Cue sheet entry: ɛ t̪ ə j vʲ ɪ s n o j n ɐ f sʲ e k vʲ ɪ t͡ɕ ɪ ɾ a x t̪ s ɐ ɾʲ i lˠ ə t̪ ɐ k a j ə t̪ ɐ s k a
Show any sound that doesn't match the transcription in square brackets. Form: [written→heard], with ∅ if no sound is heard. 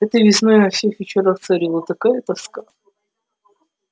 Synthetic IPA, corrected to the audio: ɛ t̪ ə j vʲ ɪ s n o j n ɐ f sʲ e [k→x] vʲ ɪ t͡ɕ ɪ ɾ a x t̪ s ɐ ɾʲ i lˠ ə t̪ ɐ k a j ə t̪ ɐ s k a